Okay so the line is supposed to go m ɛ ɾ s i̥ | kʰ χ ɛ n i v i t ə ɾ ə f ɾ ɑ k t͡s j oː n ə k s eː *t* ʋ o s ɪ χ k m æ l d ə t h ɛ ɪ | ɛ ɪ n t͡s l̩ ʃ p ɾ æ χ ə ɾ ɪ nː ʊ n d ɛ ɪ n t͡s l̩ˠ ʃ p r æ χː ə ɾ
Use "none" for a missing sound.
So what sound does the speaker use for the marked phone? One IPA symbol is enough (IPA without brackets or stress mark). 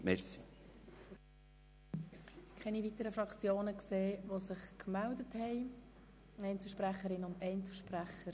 none